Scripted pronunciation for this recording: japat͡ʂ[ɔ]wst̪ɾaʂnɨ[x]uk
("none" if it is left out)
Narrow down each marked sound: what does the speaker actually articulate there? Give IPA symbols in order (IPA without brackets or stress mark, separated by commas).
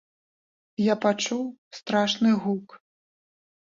u, ɣ